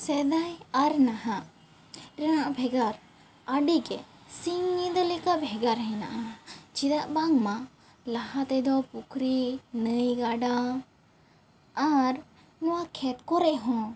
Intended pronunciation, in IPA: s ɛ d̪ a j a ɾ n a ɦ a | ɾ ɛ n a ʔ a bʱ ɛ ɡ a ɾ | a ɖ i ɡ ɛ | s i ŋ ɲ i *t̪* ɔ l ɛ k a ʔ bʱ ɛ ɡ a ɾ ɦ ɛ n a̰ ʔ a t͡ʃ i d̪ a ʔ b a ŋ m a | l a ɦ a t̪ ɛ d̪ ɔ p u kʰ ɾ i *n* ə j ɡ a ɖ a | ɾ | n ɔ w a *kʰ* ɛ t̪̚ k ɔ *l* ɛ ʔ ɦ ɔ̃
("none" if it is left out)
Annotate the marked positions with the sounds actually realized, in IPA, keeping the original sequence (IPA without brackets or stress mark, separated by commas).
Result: d̪, n, kʰ, ɾ